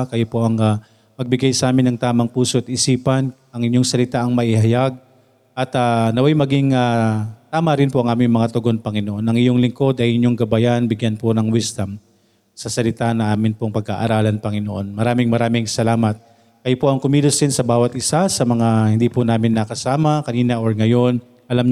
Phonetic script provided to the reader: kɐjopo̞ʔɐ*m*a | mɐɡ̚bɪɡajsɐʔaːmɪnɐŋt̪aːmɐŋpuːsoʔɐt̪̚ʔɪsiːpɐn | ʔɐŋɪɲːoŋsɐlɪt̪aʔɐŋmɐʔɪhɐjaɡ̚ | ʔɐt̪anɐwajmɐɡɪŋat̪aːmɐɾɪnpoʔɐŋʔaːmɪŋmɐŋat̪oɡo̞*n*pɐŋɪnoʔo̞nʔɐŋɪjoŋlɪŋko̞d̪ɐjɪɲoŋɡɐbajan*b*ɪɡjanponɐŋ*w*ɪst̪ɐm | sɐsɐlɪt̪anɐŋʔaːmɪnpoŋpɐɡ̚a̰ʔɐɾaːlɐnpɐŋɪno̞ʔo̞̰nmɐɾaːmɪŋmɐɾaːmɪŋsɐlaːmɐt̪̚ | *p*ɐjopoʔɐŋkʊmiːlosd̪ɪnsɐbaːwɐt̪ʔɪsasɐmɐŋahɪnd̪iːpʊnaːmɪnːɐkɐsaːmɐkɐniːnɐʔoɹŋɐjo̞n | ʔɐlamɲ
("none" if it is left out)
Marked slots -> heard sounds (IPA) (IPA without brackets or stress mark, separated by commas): ŋ, n, b, w, k